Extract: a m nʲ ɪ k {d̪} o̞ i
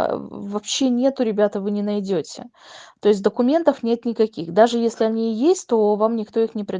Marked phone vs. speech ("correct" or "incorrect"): incorrect